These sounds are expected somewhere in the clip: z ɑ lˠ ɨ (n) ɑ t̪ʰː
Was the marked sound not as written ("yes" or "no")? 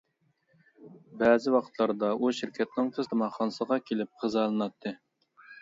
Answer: no